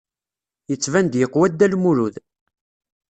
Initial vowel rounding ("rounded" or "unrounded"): unrounded